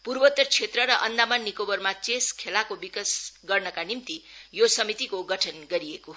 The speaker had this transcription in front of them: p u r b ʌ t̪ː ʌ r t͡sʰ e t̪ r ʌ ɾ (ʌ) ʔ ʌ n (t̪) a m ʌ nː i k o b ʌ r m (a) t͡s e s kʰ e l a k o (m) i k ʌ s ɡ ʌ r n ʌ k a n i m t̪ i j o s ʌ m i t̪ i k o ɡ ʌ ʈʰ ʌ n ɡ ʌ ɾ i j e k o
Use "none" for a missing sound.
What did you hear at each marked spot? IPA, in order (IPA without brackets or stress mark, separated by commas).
ʌ, d̪, a, b